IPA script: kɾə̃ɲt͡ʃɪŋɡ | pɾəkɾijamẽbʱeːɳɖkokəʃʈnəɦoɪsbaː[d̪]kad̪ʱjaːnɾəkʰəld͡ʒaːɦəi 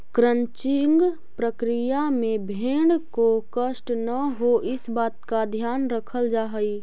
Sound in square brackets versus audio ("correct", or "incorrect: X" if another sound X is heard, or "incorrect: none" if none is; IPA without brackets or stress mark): incorrect: t̪